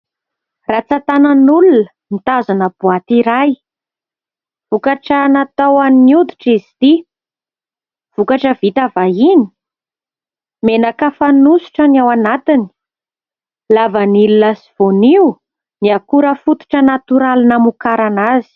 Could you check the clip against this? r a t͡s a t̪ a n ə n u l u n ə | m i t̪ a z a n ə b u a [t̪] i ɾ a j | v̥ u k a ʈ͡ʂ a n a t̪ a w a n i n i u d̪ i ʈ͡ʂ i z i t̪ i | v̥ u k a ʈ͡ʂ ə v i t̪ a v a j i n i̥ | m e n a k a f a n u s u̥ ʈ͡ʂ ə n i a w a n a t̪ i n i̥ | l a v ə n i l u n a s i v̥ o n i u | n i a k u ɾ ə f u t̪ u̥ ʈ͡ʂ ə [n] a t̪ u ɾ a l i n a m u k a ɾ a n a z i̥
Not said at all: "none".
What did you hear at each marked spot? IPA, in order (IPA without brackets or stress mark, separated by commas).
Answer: t̪, n